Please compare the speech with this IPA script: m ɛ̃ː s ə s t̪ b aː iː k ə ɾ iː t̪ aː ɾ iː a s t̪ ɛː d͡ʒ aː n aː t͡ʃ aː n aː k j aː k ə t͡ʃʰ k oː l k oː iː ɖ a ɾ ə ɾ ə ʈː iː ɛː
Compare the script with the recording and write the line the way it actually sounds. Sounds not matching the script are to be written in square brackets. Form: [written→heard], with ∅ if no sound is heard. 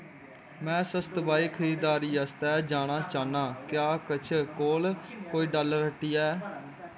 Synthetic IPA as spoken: m ɛ̃ː s ə s t̪ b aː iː [k→kʰ] ə ɾ iː [t̪→d̪] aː ɾ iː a s t̪ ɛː d͡ʒ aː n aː t͡ʃ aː n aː k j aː k ə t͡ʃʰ k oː l k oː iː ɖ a [ɾ→l] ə ɾ ə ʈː iː ɛː